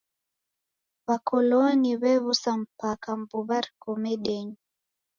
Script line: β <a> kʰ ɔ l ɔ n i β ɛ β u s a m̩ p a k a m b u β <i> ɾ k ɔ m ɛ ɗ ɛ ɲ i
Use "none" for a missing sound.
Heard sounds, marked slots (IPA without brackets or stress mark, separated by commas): a, a